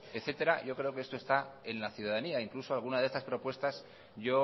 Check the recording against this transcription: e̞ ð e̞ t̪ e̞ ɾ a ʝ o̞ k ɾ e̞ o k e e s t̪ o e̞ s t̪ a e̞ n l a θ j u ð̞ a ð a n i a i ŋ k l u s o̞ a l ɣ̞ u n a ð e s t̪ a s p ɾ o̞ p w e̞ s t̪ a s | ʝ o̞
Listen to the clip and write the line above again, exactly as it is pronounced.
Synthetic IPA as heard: e̞ θ e̞ t̪ e̞ ɾ a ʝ o̞ k ɾ e̞ o k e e s t̪ o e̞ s t̪ a e̞ n l a θ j u ð̞ a ð a n i a i ŋ k l u s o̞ a l ɣ̞ u n a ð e s t̪ a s p ɾ o̞ p w e̞ s t̪ a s | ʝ o̞

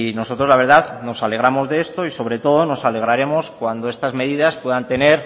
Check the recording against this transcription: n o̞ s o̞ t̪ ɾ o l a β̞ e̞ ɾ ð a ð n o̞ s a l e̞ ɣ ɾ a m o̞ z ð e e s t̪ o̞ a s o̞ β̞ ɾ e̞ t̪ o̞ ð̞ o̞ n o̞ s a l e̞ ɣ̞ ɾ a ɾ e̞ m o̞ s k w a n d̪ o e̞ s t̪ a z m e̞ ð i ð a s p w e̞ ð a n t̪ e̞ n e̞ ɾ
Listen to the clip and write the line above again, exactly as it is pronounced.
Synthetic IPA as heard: n o̞ s o̞ t̪ ɾ o l a β̞ e̞ ɾ ð a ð n o̞ s a l e̞ ɣ ɾ a m o̞ z ð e e s t̪ o̞ i s o̞ β̞ ɾ e̞ t̪ o̞ ð̞ o̞ n o̞ s a l e̞ ɣ̞ ɾ a ɾ e̞ m o̞ s k w a n d̪ o e̞ s t̪ a z m e̞ ð i ð a s p w e̞ ð a n t̪ e̞ n e̞ ɾ

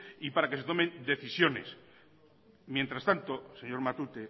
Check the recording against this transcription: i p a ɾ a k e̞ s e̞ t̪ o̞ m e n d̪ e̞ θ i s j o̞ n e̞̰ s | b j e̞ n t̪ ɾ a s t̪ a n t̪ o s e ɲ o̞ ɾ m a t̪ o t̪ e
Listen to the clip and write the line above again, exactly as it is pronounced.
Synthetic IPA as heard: i p a ɾ a k e̞ s e̞ t̪ o̞ m e n d̪ e̞ θ i s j o̞ n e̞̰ s | m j e̞ n t̪ ɾ a s t̪ a n t̪ o s e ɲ o̞ ɾ m a t̪ u t̪ e

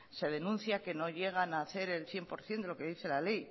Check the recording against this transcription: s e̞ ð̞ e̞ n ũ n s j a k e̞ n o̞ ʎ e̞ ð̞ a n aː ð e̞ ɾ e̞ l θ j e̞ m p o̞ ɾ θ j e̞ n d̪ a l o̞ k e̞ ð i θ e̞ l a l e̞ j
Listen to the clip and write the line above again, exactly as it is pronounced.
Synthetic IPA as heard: s e̞ ð̞ e̞ n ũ n θ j a k e̞ n o̞ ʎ e̞ ɣ̞ a n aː θ e̞ ɾ e̞ l θ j e̞ m p o̞ ɾ θ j e̞ n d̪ e l o̞ k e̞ ð i θ e̞ l a l e̞ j

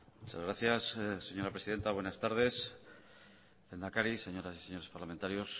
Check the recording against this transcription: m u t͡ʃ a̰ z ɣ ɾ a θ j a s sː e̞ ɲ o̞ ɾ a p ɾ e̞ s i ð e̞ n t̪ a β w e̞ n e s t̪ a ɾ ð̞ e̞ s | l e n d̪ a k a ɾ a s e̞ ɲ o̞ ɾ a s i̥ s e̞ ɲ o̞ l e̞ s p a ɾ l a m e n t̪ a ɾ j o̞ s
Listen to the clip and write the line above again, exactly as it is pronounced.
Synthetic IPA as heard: m u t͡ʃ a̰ z ɣ ɾ a θ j a s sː e̞ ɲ o̞ ɾ a p ɾ e̞ s i ð e̞ n t̪ a β w e̞ n a s t̪ a ɾ ð̞ e̞ s | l e n d̪ a k a ɾ i s e̞ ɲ o̞ ɾ a s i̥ s e̞ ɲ o̞ ɾ e̞ s p a ɾ l a m e n t̪ a ɾ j o̞ s

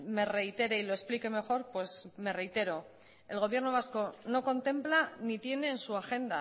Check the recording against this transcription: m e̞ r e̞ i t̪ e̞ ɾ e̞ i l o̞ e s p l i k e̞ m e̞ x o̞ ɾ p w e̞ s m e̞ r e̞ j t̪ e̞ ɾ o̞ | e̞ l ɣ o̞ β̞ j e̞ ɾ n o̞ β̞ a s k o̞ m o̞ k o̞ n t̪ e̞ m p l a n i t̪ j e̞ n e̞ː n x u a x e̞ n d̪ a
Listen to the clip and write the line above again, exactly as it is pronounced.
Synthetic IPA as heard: m e̞ r e̞ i t̪ e̞ ɾ e̞ i l o̞ e s p l i k e̞ m e̞ x o̞ ɾ p w e̞ s m e̞ r e̞ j t̪ e̞ ɾ o̞ | e̞ l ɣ o̞ β̞ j e̞ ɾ n o̞ β̞ a s k o̞ n o̞ k o̞ n t̪ e̞ m p l a n i t̪ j e̞ n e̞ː n s u a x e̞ n d̪ a

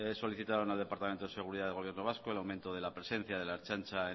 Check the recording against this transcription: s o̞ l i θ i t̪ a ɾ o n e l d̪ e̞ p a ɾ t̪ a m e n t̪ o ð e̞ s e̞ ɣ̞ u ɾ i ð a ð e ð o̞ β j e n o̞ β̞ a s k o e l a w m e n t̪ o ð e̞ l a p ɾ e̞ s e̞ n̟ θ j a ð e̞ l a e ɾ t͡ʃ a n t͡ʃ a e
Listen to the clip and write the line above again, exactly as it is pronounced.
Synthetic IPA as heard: s o̞ l i θ i t̪ a ɾ o n a l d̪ e̞ p a ɾ t̪ a m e n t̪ o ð e̞ s e̞ ɣ̞ u ɾ i ð a ð e ɣ o̞ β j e n o̞ β̞ a s k o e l a w m e n t̪ o ð e̞ l a p ɾ e̞ s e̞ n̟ θ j a ð e̞ l a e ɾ t͡ʃ a n t͡ʃ a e

